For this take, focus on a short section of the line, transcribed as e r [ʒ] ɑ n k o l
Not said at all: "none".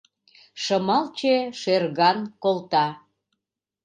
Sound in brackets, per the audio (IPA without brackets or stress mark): ɣ